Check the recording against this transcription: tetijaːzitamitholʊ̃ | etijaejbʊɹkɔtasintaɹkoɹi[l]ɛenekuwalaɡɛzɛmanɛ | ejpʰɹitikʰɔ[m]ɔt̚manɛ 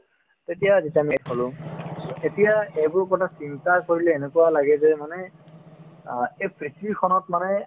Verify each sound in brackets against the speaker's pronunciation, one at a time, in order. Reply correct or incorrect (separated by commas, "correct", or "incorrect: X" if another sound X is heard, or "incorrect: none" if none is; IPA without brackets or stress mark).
correct, incorrect: n